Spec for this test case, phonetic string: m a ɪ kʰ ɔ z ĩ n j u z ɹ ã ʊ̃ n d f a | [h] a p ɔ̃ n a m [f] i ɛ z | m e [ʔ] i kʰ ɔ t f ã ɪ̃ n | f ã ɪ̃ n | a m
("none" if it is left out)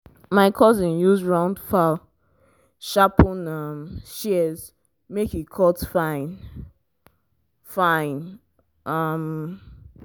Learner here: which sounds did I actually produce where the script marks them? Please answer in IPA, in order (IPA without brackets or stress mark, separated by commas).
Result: ʃ, ʃ, k